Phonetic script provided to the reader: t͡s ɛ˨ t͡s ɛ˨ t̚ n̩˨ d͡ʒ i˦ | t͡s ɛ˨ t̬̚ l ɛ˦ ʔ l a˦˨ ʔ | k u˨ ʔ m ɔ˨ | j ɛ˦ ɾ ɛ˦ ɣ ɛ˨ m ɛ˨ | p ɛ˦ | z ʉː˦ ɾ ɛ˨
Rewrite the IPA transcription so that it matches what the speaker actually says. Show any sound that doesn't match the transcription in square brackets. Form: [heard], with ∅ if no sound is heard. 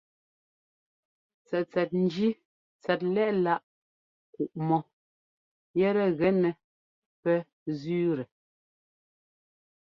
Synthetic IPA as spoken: t͡s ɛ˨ t͡s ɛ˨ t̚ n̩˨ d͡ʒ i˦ | t͡s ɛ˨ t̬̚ l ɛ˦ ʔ l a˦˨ ʔ | k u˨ ʔ m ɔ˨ | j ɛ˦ ɾ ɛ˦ ɣ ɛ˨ [n] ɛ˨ | p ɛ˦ | z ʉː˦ ɾ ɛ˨

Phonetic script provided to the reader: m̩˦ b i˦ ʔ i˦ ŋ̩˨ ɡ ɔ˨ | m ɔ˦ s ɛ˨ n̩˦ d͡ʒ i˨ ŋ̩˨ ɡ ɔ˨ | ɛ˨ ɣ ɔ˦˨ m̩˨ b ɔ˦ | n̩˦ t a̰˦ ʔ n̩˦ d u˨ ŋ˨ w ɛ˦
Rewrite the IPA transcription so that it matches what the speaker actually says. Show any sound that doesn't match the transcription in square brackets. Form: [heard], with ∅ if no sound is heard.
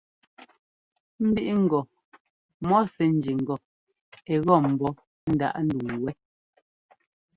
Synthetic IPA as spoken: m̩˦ b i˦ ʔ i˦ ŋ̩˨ ɡ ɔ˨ | m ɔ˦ s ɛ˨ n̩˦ d͡ʒ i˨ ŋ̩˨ ɡ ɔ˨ | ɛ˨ ɣ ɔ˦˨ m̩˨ b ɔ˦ | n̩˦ [d] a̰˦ ʔ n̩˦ d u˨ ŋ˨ w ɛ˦

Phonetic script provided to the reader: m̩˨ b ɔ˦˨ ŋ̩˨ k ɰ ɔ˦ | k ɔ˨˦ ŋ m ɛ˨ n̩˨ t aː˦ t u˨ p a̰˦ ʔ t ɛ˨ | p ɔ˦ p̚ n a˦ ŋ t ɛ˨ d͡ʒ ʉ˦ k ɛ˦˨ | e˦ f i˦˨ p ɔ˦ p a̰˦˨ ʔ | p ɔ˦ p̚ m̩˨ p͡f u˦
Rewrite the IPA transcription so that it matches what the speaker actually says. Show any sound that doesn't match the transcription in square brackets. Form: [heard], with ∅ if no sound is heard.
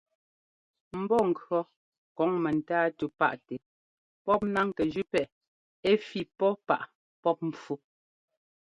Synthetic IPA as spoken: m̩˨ b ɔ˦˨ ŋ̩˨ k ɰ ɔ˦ | k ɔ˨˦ ŋ m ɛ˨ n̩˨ t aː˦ t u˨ p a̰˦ ʔ t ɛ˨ | p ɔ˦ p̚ n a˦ ŋ [k] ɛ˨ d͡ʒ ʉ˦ [p] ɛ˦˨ | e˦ f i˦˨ p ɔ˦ p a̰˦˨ ʔ | p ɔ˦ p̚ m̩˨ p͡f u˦

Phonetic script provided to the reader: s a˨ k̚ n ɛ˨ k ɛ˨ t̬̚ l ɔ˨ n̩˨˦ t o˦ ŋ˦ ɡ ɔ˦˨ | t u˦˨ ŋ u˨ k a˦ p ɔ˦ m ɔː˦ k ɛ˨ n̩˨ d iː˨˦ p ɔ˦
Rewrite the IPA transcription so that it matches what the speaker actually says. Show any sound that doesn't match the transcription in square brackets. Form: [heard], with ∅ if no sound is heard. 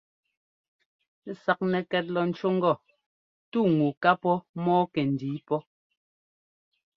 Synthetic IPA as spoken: s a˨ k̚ n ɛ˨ k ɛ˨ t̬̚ l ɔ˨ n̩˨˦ [t͡ʃ] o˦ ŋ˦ ɡ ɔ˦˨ | t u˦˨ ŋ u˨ k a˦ p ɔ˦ m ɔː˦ k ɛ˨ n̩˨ d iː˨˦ p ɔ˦

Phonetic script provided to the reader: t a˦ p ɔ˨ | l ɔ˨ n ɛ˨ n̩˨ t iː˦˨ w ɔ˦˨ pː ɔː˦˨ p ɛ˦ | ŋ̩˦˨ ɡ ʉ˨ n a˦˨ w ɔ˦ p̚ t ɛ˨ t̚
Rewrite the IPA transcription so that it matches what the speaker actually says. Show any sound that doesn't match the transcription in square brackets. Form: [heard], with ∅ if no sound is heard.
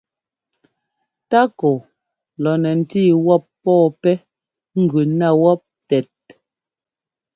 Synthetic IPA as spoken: t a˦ [k] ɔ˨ | l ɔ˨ n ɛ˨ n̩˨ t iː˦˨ w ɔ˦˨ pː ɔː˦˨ p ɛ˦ | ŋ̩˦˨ ɡ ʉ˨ n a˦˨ w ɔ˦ p̚ t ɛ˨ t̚

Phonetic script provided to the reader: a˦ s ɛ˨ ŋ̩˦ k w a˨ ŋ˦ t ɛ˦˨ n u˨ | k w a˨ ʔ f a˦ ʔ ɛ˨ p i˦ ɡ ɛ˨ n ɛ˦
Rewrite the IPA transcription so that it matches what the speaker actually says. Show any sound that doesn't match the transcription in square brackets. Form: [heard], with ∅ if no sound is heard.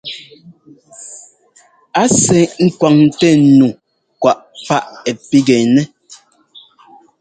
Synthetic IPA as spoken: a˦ s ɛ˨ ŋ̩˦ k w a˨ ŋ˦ t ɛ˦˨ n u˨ | k w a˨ ʔ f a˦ ʔ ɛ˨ p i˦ ɡ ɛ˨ n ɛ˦

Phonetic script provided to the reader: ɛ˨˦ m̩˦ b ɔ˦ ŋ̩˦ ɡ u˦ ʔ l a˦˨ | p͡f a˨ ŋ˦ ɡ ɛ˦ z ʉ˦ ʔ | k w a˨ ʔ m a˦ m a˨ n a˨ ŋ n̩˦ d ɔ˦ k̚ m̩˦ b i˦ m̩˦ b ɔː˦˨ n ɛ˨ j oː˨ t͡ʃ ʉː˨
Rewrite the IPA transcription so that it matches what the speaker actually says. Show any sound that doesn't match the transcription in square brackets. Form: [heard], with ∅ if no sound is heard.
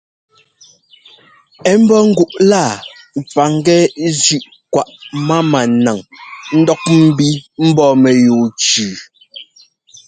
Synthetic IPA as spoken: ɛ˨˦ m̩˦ b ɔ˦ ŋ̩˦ ɡ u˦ ʔ l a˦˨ | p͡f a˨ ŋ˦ ɡ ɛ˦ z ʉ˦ ʔ | k w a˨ ʔ m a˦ m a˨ n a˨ ŋ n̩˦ d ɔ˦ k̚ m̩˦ b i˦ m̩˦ b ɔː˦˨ [m] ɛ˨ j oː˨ t͡ʃ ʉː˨

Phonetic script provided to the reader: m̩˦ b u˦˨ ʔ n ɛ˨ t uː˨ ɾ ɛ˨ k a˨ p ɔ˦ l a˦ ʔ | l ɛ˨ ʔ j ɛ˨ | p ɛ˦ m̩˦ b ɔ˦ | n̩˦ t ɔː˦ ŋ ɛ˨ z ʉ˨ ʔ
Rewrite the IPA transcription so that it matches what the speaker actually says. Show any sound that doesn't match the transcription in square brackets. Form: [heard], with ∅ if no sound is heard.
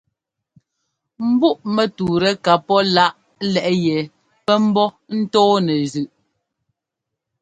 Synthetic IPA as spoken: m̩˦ b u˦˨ ʔ [m] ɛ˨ t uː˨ ɾ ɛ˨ k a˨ p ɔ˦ l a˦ ʔ | l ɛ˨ ʔ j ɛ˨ | p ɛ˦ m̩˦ b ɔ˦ | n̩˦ t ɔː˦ [n] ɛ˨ z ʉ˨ ʔ

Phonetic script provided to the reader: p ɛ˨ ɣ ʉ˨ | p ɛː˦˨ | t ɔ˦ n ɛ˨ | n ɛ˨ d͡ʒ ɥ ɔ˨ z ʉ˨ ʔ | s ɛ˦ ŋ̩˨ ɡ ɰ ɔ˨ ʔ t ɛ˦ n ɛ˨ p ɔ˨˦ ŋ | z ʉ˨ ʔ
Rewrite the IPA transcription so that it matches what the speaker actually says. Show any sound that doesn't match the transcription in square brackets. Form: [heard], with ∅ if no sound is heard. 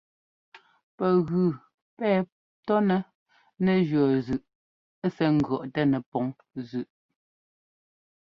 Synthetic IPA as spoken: p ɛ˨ ɣ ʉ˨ | p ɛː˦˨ | t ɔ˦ n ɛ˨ | n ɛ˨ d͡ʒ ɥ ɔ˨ z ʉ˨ ʔ | s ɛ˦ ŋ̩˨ ɡ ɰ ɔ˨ ʔ t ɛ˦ n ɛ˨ p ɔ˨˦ ŋ | z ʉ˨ ʔ

